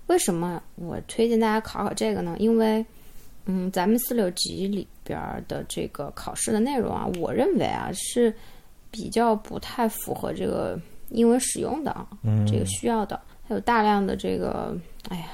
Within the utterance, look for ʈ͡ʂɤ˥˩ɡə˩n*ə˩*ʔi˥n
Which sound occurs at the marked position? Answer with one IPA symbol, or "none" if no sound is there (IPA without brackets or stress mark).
ə˩